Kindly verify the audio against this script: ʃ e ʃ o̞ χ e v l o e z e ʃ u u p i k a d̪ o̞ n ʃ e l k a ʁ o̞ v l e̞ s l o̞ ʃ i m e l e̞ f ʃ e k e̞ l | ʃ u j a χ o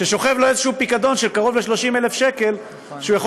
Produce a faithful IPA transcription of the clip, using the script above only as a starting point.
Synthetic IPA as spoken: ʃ e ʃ o̞ χ e v l o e z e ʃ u u p i k a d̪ o̞ n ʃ e l k a ʁ o̞ v l e̞ ʃ l o̞ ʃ i m e l e̞ f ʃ e k e̞ l | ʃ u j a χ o